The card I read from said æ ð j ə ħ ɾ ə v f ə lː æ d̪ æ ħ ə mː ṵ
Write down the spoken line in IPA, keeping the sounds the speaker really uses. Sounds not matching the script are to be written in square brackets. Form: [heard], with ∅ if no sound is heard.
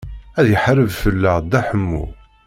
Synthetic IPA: æ ð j ə ħ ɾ ə v f ə lː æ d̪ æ ħ ə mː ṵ